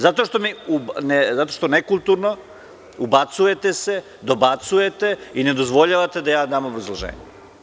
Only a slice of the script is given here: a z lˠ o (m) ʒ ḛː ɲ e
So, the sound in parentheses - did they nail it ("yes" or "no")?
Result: no